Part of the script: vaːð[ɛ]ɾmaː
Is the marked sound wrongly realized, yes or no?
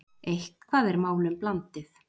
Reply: no